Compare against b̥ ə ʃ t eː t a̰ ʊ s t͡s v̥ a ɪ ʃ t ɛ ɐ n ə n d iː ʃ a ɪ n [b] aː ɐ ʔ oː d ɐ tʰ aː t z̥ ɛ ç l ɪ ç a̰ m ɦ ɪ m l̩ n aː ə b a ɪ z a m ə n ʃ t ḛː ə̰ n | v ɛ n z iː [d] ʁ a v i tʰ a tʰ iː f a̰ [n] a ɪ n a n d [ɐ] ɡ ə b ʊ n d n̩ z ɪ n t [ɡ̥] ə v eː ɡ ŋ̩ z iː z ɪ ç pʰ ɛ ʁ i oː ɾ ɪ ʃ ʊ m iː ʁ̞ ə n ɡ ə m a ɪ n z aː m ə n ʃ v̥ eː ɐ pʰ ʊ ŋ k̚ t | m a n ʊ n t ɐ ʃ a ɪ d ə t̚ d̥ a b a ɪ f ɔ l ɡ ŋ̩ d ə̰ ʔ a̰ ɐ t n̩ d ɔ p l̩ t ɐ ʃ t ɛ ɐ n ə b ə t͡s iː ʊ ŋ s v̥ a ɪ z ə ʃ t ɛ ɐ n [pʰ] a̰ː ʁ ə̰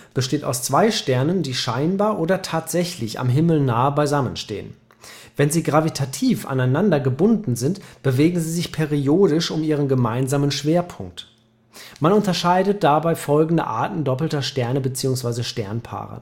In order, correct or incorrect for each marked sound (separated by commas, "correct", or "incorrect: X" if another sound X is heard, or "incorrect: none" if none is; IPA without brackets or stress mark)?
correct, incorrect: ɡ, correct, correct, incorrect: b̥, correct